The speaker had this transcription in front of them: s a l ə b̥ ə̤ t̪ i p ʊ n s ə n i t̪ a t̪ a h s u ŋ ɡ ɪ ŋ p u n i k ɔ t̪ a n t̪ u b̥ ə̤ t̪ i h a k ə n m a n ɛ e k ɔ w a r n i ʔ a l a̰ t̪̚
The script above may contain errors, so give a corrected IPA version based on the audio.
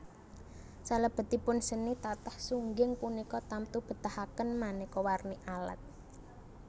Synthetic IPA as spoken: s a l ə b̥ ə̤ t̪ i p ʊ n s ə n i t̪ a t̪ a h s u ŋ ɡ ɪ ŋ p u n i k ɔ t̪ a m t̪ u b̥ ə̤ t̪ a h a k ə n m a n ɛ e k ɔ w a r n i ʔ a l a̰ t̪̚